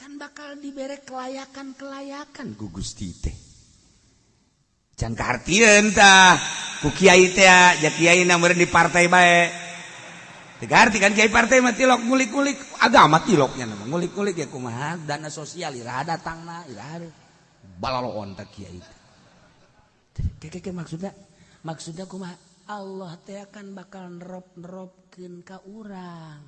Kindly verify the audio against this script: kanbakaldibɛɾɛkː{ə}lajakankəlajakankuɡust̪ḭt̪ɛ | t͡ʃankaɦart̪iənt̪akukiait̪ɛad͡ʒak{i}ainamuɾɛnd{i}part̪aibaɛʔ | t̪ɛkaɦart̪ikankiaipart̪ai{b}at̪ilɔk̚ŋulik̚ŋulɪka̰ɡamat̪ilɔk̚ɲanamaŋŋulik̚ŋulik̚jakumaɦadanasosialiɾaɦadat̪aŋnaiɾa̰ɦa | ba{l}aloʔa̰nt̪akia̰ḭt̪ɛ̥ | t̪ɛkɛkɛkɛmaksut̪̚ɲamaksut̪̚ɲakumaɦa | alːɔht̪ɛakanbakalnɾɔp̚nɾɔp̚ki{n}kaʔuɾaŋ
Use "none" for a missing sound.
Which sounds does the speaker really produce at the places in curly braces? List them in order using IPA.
ə, i, i, m, l, n

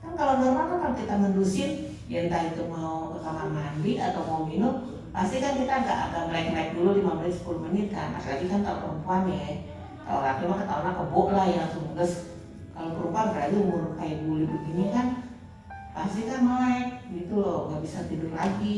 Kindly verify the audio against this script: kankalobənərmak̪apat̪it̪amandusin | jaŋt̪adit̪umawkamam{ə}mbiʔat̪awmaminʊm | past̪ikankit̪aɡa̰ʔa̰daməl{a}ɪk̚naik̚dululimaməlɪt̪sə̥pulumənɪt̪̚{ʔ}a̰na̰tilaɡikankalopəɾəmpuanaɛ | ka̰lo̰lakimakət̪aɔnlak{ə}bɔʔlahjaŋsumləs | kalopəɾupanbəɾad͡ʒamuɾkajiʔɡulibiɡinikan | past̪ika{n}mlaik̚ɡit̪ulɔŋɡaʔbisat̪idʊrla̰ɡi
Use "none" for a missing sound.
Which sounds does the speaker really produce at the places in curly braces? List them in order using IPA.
a, a, k, ə, n

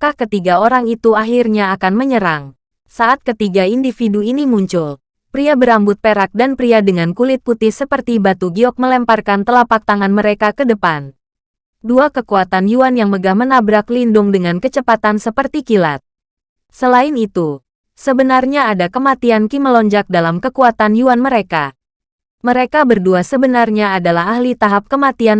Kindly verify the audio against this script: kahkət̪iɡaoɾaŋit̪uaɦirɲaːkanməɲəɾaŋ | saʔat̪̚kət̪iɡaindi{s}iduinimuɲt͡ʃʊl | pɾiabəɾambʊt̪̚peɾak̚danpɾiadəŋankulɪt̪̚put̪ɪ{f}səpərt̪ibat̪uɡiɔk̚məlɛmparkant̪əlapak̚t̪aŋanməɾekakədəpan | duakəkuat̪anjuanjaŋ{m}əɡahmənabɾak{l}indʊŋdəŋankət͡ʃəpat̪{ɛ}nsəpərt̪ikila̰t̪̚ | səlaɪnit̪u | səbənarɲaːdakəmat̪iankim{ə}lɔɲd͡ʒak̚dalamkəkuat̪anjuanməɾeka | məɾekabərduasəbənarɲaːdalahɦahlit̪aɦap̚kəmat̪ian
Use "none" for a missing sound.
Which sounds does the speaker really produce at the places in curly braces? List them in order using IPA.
f, h, m, l, a, ə

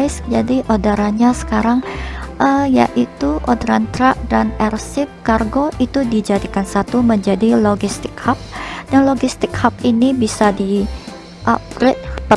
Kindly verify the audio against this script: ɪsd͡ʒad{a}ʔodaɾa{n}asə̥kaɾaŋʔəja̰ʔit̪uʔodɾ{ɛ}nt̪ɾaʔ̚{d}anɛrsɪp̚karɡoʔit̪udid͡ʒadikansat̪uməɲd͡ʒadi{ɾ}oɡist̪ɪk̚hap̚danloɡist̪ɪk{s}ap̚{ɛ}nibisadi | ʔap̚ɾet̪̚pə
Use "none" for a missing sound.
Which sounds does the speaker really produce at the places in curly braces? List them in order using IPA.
i, ɲ, a, d, l, h, i

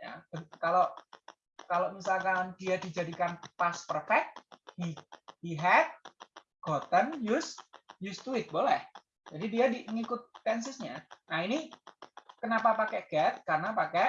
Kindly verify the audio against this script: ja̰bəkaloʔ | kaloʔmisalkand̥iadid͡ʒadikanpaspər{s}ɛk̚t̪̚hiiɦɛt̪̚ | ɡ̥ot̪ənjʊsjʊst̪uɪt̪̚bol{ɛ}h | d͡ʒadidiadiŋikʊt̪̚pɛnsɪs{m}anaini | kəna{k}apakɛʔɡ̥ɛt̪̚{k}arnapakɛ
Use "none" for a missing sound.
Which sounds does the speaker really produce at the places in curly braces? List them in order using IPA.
f, ɛ, ɲ, p, k

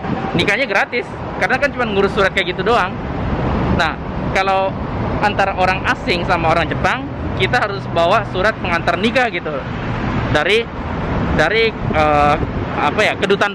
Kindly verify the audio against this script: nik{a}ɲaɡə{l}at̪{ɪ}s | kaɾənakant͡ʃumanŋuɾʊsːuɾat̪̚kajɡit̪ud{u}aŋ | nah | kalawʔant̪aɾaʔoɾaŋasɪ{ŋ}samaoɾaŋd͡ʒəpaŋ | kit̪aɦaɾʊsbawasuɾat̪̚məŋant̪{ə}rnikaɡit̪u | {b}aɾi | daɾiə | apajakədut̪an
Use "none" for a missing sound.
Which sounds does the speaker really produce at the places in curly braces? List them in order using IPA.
a, ɾ, ɪ, o, ŋ, a, d

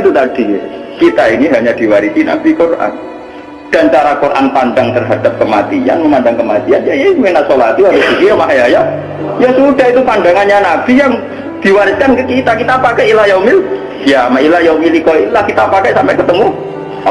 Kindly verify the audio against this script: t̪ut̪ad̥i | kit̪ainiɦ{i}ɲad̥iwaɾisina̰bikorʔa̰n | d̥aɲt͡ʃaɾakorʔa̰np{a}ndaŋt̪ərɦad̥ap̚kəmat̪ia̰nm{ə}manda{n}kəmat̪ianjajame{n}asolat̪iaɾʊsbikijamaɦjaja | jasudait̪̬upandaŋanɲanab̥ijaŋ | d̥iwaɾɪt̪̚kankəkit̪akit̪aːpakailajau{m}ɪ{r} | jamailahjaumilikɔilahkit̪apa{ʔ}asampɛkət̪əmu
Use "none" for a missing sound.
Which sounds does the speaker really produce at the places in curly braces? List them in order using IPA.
a, a, ə, ŋ, n, m, l, k

